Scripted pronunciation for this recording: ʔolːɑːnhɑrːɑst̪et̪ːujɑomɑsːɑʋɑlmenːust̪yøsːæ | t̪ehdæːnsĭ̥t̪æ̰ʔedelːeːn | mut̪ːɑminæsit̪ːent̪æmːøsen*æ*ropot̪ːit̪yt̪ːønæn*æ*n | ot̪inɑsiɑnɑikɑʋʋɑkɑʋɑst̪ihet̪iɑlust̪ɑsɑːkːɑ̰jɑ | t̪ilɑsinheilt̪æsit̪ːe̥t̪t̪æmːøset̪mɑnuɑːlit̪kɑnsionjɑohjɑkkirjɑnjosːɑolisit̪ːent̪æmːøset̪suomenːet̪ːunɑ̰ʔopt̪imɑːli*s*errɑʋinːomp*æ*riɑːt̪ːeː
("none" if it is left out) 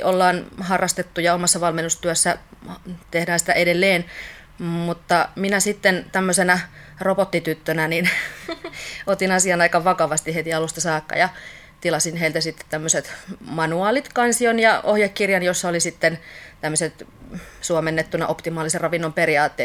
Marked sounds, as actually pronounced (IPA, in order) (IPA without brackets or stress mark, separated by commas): æ, i, s, e